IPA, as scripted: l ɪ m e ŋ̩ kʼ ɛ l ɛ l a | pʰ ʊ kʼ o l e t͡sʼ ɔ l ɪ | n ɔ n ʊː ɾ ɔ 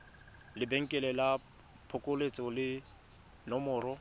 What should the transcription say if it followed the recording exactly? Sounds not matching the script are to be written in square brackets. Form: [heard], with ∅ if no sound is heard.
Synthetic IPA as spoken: l ɪ [b] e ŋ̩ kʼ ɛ l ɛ l a | pʰ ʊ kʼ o l e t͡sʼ ɔ l ɪ | n ɔ [m] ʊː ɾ ɔ